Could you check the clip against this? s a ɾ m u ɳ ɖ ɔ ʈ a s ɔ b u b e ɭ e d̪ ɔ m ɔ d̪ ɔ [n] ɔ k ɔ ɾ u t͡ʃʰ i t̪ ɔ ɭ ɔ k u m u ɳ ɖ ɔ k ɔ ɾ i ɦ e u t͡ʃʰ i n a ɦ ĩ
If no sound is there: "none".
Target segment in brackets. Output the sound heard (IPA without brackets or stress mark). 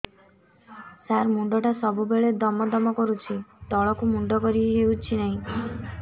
m